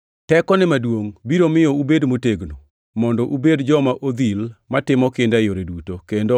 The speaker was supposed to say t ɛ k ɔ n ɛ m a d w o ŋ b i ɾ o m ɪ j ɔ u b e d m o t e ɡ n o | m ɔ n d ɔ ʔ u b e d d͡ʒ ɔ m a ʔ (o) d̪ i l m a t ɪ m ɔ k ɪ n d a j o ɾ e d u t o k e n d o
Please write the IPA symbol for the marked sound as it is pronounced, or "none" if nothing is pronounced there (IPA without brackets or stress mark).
o